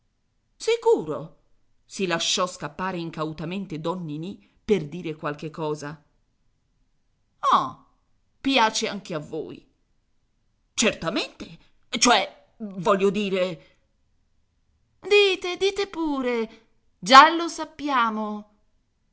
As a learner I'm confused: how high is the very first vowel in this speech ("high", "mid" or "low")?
high